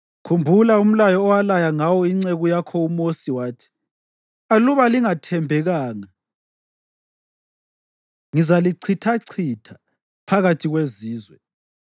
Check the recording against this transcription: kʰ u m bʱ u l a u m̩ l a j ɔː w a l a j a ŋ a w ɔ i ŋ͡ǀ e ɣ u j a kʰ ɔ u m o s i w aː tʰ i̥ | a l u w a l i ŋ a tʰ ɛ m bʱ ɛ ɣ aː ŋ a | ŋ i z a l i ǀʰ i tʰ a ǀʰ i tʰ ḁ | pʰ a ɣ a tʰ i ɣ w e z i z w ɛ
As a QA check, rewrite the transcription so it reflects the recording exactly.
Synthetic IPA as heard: kʰ u m bʱ u l a u m̩ l a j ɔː w a l a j a ŋ a w ɔ i ŋ͡ǀ e ɣ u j a kʰ ɔ u m o s i w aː tʰ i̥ | a l u β a l i ŋ a tʰ ɛ m bʱ ɛ ɣ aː ŋ a | ŋ i z a l i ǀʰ i tʰ a ǀʰ i tʰ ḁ | pʰ a ɣ a tʰ i ɣ w e z iː z w ɛ